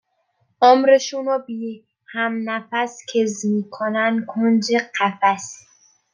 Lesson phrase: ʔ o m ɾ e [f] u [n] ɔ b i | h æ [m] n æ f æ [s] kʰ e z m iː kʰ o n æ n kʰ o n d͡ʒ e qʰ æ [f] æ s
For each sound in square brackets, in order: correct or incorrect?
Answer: incorrect, correct, correct, correct, correct

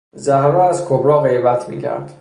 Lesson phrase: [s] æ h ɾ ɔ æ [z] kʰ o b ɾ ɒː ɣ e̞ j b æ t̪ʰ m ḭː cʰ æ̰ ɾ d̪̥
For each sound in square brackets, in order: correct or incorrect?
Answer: incorrect, correct

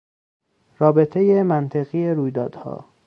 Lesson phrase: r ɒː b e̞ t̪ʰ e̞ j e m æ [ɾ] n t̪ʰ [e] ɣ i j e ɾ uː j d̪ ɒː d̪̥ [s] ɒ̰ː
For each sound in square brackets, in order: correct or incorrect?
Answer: incorrect, correct, incorrect

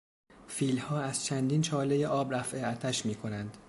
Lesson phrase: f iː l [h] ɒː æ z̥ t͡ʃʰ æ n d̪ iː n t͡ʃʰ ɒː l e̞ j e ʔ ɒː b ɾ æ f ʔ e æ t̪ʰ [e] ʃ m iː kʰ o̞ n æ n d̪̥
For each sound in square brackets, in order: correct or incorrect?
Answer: correct, incorrect

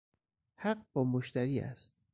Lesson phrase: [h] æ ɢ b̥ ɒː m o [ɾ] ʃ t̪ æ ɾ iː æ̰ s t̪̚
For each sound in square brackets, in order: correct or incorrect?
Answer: correct, incorrect

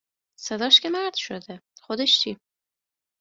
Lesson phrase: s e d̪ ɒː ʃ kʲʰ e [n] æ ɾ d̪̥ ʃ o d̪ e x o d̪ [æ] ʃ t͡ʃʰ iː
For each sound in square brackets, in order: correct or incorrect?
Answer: incorrect, incorrect

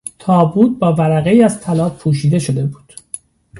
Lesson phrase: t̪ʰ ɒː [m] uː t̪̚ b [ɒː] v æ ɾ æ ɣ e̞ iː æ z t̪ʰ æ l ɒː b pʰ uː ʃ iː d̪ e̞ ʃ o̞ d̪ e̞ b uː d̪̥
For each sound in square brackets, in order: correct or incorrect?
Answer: incorrect, correct

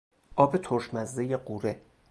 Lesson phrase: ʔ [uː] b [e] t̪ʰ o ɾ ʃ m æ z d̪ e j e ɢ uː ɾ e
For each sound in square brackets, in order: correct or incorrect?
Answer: incorrect, correct

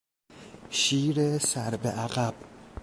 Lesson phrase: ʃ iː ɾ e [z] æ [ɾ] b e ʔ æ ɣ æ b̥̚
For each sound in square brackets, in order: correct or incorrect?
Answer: incorrect, correct

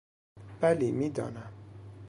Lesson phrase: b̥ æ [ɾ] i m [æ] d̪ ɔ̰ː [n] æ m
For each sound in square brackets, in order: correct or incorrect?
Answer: incorrect, incorrect, correct

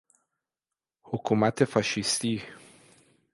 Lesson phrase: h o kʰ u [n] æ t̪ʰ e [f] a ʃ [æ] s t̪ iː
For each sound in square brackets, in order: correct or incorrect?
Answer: incorrect, correct, incorrect

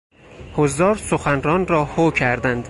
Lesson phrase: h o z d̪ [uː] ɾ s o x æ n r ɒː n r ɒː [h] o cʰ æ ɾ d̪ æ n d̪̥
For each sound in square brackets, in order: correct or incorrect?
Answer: incorrect, correct

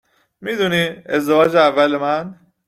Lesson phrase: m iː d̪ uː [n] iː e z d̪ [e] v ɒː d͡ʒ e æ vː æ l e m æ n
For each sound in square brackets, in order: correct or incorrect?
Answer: correct, correct

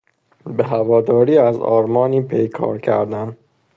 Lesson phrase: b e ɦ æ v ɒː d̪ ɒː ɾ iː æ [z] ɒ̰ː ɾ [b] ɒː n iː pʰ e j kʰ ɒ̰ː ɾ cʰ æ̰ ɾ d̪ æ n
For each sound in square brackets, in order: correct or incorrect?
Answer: correct, incorrect

